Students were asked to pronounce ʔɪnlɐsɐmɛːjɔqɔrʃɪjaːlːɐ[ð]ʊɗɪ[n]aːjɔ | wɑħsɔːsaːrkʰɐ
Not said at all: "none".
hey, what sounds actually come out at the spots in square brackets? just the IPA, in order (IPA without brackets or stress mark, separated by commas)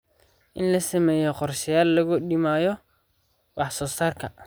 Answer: ɣ, m